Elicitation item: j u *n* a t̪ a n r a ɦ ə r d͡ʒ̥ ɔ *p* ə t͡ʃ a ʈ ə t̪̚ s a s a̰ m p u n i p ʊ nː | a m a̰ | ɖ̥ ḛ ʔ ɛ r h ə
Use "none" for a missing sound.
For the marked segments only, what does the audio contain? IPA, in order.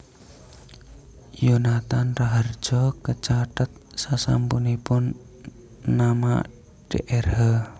n, k

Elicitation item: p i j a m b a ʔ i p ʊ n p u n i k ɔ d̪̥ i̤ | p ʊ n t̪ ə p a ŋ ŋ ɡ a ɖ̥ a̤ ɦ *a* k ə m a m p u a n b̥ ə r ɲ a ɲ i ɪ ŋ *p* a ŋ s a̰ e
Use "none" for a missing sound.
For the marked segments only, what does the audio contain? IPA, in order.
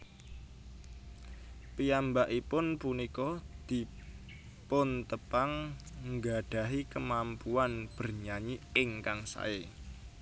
i, k

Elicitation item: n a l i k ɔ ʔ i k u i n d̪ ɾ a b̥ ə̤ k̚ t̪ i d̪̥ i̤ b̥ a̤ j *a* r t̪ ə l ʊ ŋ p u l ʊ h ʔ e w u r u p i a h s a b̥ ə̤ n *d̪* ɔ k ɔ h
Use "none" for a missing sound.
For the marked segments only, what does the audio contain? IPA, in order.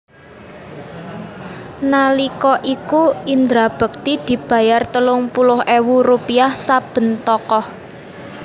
a, t̪

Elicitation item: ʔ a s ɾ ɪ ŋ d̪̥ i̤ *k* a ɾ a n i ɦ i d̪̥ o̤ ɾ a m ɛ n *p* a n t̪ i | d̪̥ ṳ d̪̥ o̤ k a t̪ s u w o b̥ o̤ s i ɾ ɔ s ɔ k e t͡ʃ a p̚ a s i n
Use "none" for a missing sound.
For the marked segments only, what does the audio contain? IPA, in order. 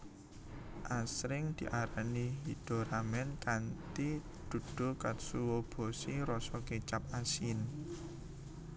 ʔ, k

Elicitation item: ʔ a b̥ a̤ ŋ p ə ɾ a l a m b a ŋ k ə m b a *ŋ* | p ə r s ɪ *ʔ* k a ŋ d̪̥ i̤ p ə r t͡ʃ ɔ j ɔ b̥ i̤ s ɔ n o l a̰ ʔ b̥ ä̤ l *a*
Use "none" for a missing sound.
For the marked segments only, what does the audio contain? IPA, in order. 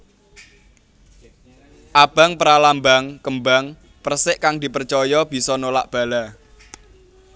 ŋ, ʔ, a

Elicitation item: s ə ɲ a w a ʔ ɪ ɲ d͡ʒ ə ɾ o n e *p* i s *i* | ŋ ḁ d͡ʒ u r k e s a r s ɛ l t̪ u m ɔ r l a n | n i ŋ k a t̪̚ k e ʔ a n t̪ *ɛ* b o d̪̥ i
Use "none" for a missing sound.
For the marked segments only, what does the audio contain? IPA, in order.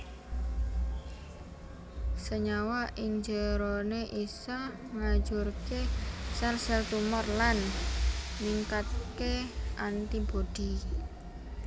ʔ, a, i

